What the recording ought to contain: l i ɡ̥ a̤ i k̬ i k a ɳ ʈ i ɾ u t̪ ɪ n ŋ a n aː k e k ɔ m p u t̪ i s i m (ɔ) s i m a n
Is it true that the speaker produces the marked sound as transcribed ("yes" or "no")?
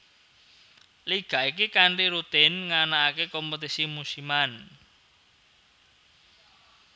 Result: no